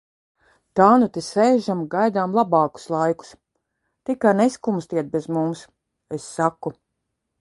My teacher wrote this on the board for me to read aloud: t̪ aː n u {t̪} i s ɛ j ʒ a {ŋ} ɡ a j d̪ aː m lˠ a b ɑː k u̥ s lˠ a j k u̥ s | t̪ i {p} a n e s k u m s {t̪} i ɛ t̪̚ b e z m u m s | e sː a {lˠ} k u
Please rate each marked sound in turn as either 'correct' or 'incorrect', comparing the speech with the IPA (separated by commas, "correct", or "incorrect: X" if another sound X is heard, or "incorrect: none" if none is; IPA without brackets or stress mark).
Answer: correct, incorrect: m, incorrect: k, correct, incorrect: none